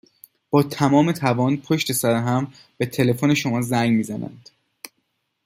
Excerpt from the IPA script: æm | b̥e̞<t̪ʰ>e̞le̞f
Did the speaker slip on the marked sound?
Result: no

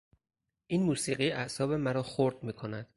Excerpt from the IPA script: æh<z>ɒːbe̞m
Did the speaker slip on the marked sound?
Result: yes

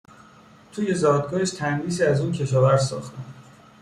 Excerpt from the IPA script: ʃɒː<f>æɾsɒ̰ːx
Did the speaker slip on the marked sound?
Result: yes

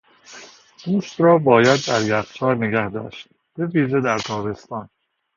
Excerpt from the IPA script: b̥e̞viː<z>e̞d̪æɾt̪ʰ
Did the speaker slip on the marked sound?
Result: yes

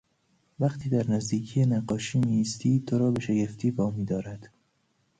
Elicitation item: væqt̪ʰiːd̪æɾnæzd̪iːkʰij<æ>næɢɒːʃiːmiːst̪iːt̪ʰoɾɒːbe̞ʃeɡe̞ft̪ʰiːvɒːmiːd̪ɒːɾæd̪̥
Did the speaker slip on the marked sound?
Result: yes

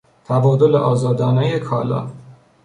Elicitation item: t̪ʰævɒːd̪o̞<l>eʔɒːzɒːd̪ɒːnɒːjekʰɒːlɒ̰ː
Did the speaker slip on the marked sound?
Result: no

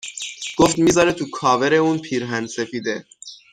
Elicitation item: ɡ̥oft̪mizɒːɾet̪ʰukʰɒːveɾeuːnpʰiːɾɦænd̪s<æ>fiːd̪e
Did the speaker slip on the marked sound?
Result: yes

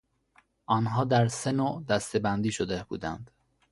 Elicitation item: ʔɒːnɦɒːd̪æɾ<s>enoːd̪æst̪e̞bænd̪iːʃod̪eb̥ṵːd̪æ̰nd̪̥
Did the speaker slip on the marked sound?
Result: no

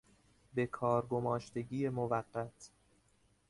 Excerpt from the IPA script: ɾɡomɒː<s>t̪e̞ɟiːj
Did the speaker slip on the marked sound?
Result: yes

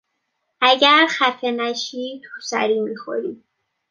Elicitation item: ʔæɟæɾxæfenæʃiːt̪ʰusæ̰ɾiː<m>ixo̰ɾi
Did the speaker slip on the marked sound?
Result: no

